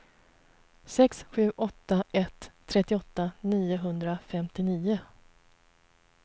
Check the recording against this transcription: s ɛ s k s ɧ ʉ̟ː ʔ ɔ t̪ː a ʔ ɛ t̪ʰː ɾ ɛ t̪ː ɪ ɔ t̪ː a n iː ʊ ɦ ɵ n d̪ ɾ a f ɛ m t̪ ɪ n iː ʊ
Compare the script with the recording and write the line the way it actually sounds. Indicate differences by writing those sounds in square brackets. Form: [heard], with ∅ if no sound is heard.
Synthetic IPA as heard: s ɛ [∅] k s ɧ ʉ̟ː ʔ ɔ t̪ː a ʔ ɛ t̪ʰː ɾ ɛ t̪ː ɪ ɔ t̪ː a n iː ʊ ɦ ɵ n d̪ ɾ a f ɛ m t̪ ɪ n iː ʊ